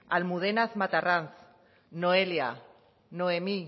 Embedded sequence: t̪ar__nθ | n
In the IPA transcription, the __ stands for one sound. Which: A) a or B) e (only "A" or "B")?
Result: A